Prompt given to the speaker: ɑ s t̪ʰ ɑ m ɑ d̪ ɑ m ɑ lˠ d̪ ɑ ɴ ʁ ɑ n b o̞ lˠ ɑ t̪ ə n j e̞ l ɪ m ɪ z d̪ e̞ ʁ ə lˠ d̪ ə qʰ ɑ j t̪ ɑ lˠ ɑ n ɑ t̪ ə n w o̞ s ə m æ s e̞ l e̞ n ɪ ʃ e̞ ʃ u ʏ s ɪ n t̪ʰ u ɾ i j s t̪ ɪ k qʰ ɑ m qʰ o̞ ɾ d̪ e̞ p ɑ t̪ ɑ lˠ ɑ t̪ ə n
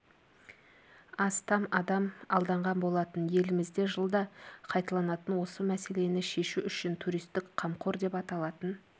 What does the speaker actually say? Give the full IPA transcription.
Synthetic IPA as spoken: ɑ s t̪ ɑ m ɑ d̪ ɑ m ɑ lˠ d̪ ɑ ɴ ʁ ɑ n b o̞ lˠ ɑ t̪ ə n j e̞ l ɪ m ɪ z d̪ e̞ ʒ ə lˠ d̪ ɑ qʰ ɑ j t̪ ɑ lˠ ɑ n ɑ t̪ ə n w o̞ s ə m æ s e̞ l e̞ n ɪ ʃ e̞ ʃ u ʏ ʃ ɪ n t̪ʰ u ɾ i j s t̪ ɪ k qʰ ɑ m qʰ o̞ ɾ d̪ e̞ p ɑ t̪ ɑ lˠ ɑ t̪ ə n